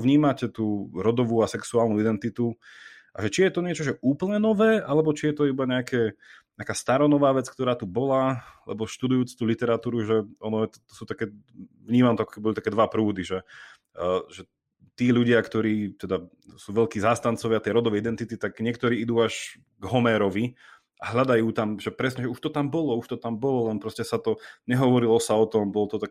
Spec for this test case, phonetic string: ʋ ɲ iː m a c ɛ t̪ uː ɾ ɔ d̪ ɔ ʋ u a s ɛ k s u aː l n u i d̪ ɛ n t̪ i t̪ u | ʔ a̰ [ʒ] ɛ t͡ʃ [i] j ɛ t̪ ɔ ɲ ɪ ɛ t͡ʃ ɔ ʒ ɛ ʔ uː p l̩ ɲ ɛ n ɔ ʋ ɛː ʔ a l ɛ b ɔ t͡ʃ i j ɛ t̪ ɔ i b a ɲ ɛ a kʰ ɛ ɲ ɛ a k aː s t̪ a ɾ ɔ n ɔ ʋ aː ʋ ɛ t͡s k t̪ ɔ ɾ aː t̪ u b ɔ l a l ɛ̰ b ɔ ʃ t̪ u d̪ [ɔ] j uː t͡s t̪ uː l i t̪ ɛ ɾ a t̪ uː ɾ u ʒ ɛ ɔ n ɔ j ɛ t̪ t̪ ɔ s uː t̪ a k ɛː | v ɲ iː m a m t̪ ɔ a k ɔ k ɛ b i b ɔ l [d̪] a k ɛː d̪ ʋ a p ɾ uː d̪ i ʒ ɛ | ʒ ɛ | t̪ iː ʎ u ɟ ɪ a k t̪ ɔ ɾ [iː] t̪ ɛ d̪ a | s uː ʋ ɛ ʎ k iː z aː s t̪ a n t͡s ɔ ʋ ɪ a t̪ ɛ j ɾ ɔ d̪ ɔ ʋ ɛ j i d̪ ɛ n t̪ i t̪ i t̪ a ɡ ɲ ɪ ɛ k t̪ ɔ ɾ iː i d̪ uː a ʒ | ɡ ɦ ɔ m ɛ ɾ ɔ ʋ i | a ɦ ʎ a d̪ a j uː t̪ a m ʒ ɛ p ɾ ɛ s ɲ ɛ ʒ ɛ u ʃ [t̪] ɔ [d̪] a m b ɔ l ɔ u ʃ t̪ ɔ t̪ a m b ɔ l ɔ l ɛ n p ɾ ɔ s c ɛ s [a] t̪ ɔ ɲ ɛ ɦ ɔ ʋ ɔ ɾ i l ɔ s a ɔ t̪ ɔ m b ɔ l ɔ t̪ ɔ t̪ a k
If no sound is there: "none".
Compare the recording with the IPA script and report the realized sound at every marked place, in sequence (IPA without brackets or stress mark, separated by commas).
ʒ, i, u, t̪, iː, t̪, t̪, a